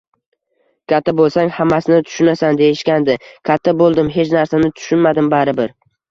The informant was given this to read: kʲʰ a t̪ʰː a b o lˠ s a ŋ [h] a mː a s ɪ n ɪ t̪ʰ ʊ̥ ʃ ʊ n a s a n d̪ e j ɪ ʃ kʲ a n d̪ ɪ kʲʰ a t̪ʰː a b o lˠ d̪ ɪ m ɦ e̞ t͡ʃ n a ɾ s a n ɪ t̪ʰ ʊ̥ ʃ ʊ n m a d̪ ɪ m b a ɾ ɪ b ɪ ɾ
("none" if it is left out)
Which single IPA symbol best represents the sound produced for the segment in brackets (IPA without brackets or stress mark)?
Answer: h